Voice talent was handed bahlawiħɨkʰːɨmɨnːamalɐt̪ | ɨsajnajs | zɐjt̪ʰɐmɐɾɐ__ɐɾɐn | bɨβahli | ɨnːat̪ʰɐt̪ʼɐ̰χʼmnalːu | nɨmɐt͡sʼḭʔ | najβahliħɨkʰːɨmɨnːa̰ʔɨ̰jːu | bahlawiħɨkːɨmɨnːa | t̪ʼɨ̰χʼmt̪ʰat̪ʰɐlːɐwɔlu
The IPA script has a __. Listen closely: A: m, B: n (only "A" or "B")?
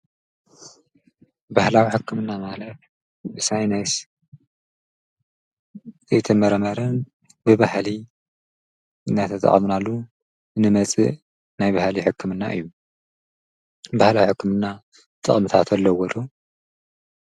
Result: A